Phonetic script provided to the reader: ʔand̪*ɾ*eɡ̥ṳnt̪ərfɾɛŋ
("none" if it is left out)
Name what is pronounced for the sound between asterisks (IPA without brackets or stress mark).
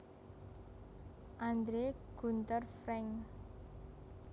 ɾ